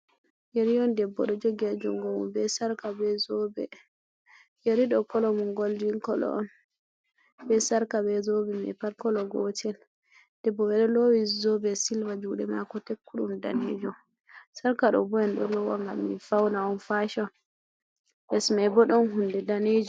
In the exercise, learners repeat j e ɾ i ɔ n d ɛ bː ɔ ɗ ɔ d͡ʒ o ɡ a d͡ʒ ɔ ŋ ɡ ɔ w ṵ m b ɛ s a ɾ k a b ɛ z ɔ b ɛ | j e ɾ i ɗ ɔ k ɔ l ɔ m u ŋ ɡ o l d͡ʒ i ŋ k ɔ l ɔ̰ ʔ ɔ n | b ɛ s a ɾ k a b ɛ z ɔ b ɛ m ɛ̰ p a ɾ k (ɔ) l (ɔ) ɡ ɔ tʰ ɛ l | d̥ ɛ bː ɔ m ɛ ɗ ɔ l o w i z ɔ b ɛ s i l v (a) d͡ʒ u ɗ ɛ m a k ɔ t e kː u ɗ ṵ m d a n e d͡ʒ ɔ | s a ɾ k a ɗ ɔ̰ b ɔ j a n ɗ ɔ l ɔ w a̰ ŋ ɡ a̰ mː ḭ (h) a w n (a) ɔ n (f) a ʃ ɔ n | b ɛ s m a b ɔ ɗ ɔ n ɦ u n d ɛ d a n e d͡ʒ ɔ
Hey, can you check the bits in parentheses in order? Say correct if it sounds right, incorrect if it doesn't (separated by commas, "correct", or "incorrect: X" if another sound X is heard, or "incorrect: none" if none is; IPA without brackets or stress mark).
correct, correct, correct, incorrect: f, correct, correct